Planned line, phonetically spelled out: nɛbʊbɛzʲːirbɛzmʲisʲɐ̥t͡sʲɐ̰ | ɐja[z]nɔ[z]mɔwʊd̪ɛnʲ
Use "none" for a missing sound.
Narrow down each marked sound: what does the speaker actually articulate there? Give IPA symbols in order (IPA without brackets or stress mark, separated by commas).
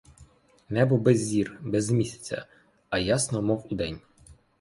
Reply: s, none